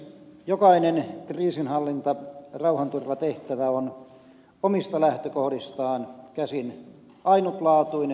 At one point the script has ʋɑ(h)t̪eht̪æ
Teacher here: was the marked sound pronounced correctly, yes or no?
no